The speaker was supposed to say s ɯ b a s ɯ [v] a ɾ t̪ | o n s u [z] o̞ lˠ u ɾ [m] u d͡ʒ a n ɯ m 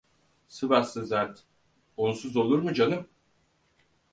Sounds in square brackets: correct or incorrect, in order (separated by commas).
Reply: incorrect, correct, correct